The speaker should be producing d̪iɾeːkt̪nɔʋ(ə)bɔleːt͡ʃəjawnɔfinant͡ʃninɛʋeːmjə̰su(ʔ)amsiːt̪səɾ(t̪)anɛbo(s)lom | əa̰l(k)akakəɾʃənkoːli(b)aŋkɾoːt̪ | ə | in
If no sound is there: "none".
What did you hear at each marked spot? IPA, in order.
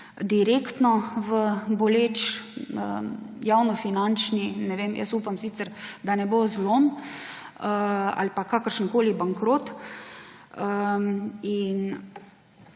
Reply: ə, p, d̪, z, p, b

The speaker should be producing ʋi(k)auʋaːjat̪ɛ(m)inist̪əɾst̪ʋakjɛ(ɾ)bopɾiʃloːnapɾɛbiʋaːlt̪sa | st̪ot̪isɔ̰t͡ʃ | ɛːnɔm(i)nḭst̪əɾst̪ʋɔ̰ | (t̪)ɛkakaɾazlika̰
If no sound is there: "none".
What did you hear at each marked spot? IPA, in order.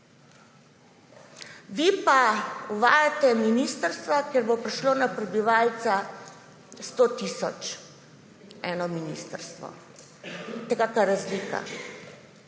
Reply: p, m, ɾ, i, t̪

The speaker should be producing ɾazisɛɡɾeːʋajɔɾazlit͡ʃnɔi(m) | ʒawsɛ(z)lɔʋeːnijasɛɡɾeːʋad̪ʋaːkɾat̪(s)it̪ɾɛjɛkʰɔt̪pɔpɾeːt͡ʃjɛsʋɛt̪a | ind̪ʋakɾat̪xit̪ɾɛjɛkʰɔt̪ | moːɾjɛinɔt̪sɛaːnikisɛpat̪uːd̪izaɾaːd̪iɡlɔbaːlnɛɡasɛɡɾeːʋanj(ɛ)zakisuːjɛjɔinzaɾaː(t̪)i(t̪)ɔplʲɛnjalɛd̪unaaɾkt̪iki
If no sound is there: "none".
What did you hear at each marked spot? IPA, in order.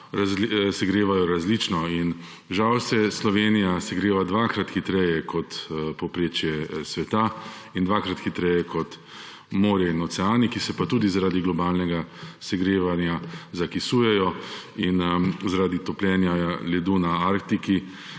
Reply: n, s, x, a, d̪, t̪

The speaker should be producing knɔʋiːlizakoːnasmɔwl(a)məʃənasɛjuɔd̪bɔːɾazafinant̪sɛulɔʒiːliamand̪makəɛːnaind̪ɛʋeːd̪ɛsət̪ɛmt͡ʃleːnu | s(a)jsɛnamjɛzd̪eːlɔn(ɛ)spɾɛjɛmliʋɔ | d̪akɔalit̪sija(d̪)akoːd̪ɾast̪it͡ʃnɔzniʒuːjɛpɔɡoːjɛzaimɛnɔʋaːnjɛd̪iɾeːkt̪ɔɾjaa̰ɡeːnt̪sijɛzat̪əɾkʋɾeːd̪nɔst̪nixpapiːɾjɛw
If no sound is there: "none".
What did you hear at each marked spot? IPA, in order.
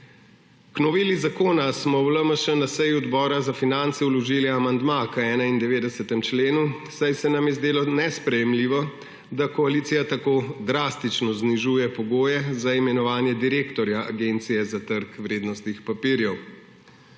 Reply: ə, a, ɛ, t̪

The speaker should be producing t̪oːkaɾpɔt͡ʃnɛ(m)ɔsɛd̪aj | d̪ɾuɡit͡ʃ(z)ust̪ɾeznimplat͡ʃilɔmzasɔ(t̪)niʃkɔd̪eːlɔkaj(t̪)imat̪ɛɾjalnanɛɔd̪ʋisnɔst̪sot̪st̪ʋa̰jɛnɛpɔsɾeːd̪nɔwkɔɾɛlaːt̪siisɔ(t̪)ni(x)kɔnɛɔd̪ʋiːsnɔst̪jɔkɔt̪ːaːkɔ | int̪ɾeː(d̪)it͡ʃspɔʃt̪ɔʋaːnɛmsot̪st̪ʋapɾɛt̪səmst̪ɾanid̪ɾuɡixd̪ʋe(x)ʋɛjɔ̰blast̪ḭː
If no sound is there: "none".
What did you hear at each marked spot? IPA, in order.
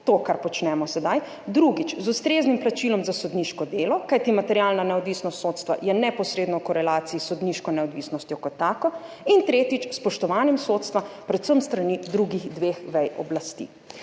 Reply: m, z, d̪, t̪, d̪, ʃ, t̪, x

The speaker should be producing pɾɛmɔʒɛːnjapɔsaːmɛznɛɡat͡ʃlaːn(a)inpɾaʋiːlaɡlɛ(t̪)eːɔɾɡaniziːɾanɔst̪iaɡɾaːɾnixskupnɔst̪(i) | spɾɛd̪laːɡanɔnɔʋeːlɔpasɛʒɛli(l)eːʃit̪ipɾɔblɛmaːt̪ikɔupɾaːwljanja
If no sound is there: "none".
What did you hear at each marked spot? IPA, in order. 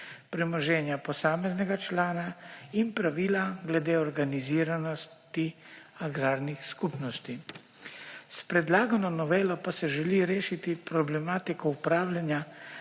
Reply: a, d̪, i, ɾ

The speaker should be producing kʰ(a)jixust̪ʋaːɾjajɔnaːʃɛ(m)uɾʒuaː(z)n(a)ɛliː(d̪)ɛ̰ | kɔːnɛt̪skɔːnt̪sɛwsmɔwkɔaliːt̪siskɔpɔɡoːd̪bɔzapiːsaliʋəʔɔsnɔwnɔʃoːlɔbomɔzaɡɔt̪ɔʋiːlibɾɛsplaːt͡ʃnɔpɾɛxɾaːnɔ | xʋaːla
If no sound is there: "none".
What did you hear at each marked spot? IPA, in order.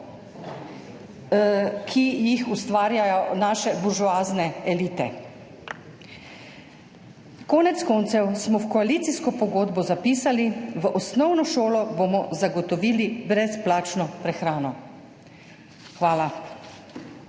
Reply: i, b, z, ɛ, t̪

